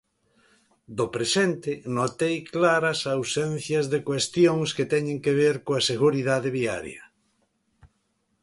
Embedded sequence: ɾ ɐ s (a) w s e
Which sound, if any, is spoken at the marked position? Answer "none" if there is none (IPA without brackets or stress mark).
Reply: a